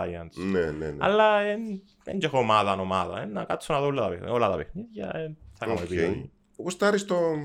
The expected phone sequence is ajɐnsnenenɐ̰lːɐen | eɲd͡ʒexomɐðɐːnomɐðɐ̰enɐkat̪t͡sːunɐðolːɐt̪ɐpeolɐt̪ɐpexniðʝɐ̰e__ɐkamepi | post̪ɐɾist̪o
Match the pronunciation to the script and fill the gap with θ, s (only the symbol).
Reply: θ